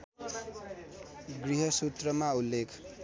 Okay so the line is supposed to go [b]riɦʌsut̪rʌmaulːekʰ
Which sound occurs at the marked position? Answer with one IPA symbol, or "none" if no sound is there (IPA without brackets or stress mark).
ɡ